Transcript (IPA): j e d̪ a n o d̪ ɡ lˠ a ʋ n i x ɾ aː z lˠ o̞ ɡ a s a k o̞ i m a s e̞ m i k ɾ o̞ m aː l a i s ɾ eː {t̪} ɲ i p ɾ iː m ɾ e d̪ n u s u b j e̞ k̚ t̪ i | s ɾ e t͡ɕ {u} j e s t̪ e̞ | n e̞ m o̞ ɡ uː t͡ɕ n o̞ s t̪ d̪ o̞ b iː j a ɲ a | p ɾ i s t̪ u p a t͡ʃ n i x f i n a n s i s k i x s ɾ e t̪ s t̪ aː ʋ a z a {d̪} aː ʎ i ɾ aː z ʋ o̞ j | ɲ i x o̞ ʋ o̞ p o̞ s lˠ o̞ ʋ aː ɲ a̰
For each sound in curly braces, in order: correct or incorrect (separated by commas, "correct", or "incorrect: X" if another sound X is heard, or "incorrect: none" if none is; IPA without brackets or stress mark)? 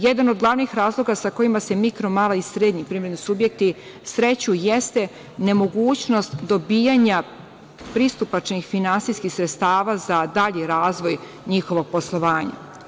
incorrect: d̪, correct, correct